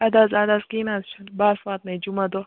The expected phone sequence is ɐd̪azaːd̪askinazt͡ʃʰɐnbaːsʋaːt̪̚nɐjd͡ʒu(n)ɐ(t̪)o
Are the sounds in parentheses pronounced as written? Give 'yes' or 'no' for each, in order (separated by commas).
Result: no, no